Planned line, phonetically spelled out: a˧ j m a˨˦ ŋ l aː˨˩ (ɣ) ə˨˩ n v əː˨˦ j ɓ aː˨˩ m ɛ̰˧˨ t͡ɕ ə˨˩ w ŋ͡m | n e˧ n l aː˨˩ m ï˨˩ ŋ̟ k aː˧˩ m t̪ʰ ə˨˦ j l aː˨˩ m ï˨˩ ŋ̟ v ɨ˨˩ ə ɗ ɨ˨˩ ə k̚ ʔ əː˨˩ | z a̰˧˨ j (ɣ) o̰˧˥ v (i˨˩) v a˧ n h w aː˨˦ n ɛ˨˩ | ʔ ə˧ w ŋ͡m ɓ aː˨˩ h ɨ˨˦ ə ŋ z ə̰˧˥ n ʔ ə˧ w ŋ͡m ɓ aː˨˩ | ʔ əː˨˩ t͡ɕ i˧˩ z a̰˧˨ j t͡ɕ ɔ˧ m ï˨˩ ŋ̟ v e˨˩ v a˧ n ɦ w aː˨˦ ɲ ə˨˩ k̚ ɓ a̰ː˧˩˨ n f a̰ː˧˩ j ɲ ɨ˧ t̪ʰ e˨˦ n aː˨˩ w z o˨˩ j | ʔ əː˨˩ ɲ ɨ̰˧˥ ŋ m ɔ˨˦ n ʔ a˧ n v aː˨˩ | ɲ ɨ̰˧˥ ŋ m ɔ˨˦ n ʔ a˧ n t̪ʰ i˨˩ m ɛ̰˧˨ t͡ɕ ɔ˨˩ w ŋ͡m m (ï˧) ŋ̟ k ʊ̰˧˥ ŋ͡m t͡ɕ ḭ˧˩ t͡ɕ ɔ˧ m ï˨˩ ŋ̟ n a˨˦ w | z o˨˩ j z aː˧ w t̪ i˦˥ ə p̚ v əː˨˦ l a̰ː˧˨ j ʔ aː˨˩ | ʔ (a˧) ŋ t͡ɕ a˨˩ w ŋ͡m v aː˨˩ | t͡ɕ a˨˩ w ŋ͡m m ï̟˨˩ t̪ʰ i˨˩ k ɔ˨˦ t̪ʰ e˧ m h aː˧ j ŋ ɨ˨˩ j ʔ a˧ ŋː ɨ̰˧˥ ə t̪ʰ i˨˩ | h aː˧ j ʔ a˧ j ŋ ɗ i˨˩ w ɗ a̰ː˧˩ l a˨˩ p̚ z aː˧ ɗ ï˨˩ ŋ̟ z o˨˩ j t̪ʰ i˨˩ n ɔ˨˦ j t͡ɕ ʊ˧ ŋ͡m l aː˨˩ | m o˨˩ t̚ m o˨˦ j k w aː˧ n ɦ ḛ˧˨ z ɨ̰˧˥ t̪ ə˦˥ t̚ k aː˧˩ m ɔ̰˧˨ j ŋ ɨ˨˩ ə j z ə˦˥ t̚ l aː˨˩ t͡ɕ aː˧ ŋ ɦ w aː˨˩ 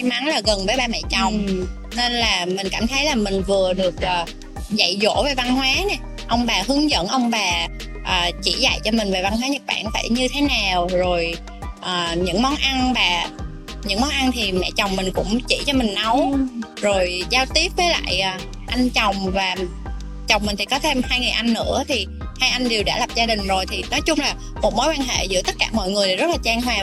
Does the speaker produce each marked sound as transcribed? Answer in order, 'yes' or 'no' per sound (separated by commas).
yes, no, no, no, yes